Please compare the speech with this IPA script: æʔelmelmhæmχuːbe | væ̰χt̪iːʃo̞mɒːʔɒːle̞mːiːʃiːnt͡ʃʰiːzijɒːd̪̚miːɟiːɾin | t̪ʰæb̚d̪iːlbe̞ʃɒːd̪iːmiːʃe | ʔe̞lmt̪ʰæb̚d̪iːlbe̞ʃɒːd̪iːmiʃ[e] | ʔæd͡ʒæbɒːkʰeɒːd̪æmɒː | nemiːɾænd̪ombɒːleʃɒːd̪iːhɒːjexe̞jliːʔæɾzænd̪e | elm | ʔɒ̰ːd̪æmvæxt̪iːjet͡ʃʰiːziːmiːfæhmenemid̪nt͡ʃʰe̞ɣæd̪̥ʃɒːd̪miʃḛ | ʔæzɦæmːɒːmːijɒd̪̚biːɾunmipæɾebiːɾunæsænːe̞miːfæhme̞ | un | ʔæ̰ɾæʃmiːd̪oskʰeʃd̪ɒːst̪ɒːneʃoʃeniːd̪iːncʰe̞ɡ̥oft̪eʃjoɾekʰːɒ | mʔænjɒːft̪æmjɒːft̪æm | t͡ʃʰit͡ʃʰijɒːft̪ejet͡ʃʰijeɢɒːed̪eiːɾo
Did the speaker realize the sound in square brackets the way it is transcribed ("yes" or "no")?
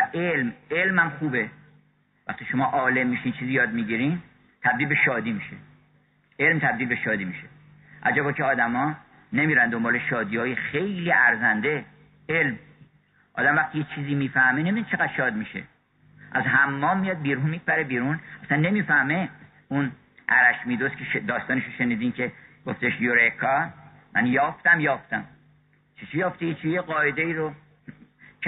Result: yes